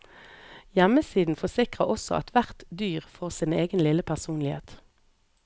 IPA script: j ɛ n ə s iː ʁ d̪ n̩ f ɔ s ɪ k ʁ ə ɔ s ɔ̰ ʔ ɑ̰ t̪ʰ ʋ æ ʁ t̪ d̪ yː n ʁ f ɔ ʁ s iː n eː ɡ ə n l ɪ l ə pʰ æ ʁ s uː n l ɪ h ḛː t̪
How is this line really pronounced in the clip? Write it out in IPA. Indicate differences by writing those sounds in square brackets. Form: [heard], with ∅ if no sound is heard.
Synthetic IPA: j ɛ [m] ə s iː [∅] d̪ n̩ f ɔ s ɪ k ʁ ə ɔ s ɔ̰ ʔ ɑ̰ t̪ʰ ʋ æ ʁ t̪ d̪ yː [∅] ʁ f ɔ ʁ s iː n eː ɡ ə n l ɪ l ə pʰ æ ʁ s uː n l ɪ h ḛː t̪

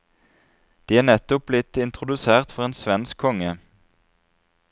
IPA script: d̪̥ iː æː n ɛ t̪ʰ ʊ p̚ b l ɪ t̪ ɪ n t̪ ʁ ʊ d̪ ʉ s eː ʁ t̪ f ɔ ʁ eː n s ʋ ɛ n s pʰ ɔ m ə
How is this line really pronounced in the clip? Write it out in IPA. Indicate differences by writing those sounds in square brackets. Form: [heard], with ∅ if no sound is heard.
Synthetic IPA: d̪̥ iː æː n ɛ [t̪] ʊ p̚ b l ɪ t̪ ɪ n t̪ ʁ ʊ d̪ ʉ s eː ʁ t̪ f ɔ ʁ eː n s ʋ ɛ n s [kʰ] ɔ [ŋ] ə

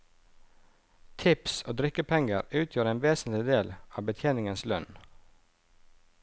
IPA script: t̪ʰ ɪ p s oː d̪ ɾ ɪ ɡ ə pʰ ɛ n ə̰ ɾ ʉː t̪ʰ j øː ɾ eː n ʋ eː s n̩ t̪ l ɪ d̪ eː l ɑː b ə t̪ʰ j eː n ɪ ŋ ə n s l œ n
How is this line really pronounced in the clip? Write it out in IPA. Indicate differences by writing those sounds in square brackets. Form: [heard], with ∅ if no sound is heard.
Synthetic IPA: t̪ʰ ɪ p s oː d̪ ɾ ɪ [k] ə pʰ ɛ [ŋ] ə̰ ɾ ʉː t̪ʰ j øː ɾ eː n ʋ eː s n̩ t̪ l ɪ d̪ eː l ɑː b ə t̪ʰ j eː n ɪ ŋ ə n s l œ n

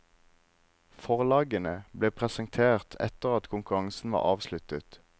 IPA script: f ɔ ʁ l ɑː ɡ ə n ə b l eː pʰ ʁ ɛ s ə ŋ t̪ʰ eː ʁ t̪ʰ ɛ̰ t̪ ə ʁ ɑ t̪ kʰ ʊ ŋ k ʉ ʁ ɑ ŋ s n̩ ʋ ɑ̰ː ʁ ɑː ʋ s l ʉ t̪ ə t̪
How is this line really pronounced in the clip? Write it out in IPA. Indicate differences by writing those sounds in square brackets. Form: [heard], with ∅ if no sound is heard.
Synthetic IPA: f ɔ ʁ l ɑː ɡ ə n ə b l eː pʰ ʁ ɛ s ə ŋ t̪ʰ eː ʁ t̪ʰ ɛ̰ t̪ ə ʁ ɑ t̪ kʰ ʊ ŋ k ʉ ʁ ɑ ŋ s n̩ ʋ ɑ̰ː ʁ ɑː ʋ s l ʉ t̪ ə t̪

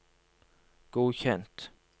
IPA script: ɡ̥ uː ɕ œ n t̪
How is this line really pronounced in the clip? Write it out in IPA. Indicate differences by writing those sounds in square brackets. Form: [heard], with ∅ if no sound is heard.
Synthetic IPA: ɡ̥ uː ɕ [ɛ] n t̪

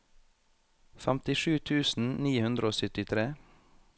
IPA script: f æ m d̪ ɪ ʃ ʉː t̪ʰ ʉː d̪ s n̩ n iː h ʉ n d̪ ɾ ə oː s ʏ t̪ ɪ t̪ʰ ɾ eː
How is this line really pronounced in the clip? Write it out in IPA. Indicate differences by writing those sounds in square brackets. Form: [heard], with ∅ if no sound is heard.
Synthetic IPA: f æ m [t̪] ɪ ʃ ʉː t̪ʰ ʉː [∅] s n̩ n iː h ʉ n d̪ ɾ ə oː s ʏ t̪ ɪ t̪ʰ ɾ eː

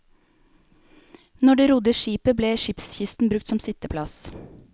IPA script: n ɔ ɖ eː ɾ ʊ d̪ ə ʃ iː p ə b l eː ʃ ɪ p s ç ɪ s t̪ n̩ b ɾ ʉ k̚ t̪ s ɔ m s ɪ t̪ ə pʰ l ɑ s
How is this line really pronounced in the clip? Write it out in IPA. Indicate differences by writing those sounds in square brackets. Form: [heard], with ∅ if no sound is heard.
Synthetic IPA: n ɔ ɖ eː ɾ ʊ d̪ ə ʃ iː p ə b l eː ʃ ɪ p s ç ɪ s t̪ n̩ b ɾ ʉ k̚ t̪ s ɔ m s ɪ t̪ ə pʰ l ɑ s

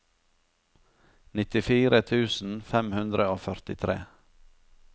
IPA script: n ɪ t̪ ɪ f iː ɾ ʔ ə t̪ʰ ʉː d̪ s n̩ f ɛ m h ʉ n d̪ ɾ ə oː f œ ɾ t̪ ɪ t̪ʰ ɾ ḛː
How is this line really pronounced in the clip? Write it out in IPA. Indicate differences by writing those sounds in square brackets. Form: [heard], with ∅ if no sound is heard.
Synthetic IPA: n ɪ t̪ ɪ f iː ɾ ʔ ə t̪ʰ ʉː [∅] s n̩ f ɛ m h ʉ n d̪ ɾ ə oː f œ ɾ t̪ ɪ t̪ʰ ɾ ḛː

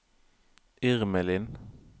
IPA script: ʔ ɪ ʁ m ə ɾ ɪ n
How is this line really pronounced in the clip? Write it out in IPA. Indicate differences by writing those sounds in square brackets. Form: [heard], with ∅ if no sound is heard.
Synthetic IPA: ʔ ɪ ʁ m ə [l] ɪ n

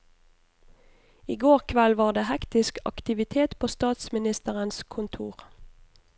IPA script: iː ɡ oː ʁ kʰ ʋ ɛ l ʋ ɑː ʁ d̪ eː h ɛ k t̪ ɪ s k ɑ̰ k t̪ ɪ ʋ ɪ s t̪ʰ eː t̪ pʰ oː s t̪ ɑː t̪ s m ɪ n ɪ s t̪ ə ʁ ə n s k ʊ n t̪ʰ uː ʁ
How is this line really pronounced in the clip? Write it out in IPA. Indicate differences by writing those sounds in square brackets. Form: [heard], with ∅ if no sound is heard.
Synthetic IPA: iː ɡ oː ʁ kʰ ʋ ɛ l ʋ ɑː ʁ d̪ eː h ɛ k t̪ ɪ s k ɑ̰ k t̪ ɪ ʋ ɪ [∅] t̪ʰ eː t̪ pʰ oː s t̪ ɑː t̪ s m ɪ n ɪ s t̪ ə ʁ ə n s [kʰ] ʊ n t̪ʰ uː ʁ

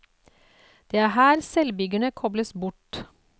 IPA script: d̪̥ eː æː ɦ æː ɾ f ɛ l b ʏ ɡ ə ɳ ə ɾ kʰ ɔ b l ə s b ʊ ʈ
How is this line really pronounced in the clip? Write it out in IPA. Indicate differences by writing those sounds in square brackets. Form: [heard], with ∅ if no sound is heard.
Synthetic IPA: d̪̥ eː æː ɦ æː ɾ [s] ɛ l b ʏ ɡ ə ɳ ə [∅] kʰ ɔ b l ə s b ʊ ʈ

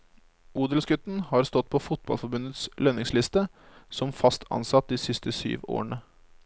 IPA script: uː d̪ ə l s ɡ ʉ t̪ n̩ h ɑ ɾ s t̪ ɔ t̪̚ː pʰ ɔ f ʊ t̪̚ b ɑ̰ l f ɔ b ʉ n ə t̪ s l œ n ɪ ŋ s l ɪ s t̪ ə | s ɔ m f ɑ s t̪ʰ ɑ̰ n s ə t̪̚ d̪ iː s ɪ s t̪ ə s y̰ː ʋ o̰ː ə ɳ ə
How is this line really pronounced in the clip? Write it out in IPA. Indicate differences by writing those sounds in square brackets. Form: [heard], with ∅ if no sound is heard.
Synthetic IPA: uː d̪ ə l s ɡ ʉ t̪ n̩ h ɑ ɾ s t̪ ɔ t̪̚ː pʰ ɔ f ʊ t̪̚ b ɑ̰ l f ɔ b ʉ n ə t̪ s l œ n ɪ ŋ s l ɪ s t̪ ə | s ɔ m f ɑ s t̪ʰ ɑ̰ n s [ɑ] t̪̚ d̪ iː s ɪ s t̪ ə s y̰ː ʋ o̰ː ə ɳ ə

